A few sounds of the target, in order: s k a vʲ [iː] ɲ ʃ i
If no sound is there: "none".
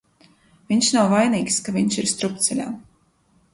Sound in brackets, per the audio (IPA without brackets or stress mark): i